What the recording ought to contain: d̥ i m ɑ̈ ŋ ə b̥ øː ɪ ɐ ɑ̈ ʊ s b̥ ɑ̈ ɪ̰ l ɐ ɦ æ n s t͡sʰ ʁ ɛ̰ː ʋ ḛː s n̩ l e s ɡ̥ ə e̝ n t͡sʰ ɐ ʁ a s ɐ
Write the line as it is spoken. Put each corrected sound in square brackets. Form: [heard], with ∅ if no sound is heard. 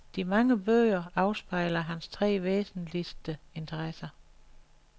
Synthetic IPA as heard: d̥ i m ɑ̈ ŋ ə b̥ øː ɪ ɐ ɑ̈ ʊ s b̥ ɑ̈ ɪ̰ l ɐ ɦ æ n s t͡sʰ ʁ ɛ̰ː ʋ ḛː s n̩ l [i] s [d̥] ə e̝ n t͡sʰ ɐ ʁ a s ɐ